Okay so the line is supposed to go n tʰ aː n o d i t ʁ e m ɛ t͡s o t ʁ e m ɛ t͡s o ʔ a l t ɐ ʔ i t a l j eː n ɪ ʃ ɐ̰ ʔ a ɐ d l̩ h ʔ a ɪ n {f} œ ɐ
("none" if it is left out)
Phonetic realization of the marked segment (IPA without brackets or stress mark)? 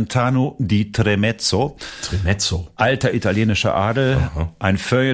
f